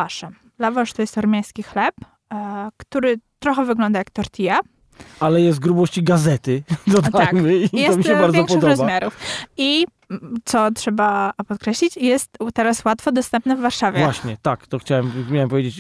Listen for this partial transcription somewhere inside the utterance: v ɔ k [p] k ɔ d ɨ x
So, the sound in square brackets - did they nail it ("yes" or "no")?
yes